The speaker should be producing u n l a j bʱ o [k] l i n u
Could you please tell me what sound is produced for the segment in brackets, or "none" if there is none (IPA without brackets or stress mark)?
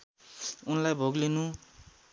ɡ